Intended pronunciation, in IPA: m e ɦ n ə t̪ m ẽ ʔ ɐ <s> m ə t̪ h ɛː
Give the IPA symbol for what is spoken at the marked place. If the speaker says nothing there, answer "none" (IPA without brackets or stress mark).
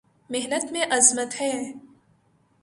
z